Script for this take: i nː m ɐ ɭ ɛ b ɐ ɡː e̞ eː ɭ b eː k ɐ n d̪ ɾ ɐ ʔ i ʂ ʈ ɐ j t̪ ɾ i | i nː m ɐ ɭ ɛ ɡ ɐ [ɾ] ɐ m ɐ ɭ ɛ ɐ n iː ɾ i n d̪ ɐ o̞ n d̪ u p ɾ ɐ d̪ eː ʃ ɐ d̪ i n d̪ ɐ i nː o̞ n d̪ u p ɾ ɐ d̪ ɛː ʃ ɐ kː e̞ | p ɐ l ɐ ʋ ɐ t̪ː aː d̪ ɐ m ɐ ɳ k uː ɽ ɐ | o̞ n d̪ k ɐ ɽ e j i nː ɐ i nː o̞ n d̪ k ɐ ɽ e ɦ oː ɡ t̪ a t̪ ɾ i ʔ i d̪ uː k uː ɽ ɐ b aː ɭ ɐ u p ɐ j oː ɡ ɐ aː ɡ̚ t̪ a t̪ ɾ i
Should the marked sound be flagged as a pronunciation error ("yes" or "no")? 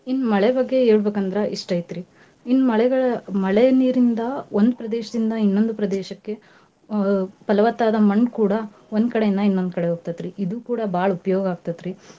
yes